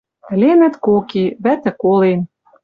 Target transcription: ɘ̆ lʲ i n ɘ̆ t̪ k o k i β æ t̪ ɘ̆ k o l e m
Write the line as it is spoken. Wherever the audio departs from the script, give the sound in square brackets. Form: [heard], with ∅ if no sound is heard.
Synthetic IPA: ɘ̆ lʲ [e] n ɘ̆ t̪ k o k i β æ t̪ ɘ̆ k o l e [n]